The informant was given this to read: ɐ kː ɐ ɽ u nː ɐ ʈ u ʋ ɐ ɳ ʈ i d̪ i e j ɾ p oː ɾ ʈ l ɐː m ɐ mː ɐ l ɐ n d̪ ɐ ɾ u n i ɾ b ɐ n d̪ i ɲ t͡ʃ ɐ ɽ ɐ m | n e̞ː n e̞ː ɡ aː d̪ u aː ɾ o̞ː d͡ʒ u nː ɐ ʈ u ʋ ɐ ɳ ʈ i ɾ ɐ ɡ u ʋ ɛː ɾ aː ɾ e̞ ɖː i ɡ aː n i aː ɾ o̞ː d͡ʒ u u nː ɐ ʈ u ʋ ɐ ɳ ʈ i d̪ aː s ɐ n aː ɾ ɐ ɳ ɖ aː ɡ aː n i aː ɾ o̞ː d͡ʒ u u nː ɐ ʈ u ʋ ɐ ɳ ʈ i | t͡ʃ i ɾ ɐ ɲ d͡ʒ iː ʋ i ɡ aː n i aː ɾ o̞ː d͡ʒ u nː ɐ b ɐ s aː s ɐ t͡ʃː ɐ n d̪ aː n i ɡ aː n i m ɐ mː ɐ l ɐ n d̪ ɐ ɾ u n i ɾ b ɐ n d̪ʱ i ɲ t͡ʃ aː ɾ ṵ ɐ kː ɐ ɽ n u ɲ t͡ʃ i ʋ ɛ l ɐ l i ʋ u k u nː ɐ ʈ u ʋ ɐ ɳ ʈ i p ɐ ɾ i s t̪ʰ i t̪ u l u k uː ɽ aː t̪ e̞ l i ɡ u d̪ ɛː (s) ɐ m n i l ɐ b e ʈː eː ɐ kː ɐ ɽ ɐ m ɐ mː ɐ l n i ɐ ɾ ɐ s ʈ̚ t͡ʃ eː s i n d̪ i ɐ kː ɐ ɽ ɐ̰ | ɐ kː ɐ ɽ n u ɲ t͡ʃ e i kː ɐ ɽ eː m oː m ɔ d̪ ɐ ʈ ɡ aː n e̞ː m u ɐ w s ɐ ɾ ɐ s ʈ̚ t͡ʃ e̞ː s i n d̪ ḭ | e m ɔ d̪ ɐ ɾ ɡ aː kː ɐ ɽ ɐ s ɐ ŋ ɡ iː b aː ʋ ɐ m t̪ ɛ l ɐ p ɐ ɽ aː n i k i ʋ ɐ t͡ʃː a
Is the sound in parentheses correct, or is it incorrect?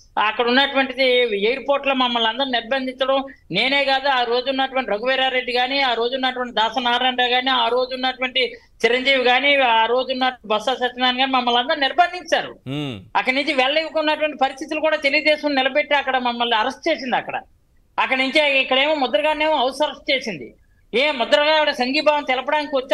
incorrect